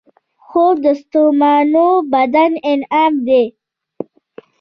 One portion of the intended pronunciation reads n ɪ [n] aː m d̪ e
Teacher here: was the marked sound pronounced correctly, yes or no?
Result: yes